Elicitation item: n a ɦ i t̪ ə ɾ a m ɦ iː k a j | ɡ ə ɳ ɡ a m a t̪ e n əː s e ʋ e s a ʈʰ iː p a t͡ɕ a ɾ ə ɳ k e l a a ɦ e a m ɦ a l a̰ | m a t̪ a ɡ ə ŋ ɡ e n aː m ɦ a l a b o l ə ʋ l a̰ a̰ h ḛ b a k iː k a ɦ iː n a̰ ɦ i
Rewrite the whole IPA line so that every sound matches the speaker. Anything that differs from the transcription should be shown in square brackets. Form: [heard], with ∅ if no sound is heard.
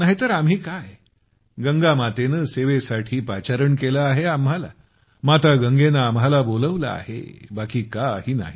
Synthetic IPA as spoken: n a ɦ i t̪ ə ɾ a m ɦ iː k a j | ɡ ə [ŋ] ɡ a m a t̪ e n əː s e ʋ e s a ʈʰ iː p a t͡ɕ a ɾ ə ɳ k e l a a ɦ e a m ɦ a l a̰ | m a t̪ a ɡ ə ŋ ɡ e n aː m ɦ a l a b o l ə ʋ l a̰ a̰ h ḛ b a k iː k a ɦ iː n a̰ ɦ i